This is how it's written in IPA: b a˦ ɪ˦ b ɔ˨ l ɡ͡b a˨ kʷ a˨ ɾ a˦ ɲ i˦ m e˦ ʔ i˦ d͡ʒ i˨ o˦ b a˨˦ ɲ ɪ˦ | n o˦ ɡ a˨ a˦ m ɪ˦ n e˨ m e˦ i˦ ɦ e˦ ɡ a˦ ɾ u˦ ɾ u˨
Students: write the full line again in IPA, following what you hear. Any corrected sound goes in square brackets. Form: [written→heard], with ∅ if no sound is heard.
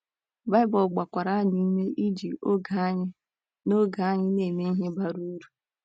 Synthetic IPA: b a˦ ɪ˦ b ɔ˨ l ɡ͡b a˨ kʷ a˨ ɾ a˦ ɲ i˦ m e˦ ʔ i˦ d͡ʒ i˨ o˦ [b→ɡ] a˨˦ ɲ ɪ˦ | n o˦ ɡ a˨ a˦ [m→ɲ] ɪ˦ n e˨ m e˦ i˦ ɦ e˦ [ɡ→b] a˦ ɾ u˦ ɾ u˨